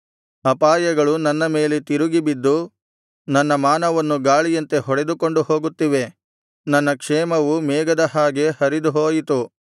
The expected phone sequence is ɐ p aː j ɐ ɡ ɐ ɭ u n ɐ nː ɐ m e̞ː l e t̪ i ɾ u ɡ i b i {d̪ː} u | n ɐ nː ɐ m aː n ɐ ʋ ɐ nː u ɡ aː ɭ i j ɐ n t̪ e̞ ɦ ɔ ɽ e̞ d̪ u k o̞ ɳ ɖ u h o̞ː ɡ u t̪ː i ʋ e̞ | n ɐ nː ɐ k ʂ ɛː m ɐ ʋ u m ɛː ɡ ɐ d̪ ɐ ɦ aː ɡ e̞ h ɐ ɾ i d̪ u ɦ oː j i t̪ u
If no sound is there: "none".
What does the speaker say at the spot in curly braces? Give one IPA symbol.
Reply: d̪ː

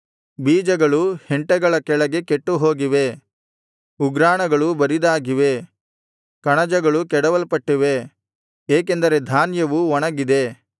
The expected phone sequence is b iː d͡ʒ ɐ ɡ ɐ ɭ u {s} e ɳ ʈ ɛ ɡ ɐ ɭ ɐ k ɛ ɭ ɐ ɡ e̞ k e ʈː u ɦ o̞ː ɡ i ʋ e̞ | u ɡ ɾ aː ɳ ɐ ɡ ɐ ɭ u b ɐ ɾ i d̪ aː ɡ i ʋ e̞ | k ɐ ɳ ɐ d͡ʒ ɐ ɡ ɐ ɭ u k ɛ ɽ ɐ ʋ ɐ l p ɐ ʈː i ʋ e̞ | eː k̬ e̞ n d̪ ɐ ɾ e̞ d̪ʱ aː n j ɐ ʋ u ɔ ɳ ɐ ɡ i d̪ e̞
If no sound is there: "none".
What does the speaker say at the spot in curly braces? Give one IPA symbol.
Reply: h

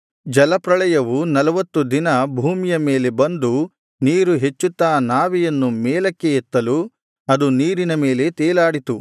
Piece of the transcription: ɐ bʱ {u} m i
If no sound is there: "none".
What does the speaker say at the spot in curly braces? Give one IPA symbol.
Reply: uː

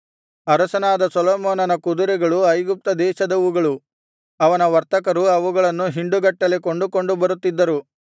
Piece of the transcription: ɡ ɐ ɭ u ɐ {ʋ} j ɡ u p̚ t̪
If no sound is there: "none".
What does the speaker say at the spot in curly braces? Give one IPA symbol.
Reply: none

